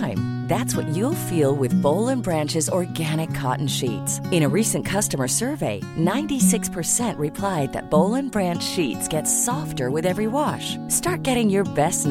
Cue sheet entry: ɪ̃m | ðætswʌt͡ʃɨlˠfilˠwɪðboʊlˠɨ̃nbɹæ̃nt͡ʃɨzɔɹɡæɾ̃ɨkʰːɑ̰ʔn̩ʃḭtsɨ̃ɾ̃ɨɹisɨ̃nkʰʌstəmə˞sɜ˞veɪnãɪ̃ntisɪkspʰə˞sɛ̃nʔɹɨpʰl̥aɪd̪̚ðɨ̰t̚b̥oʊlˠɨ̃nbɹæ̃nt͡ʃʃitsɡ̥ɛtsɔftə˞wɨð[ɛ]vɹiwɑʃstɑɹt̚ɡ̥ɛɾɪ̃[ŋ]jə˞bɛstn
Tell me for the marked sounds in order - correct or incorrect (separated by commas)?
correct, correct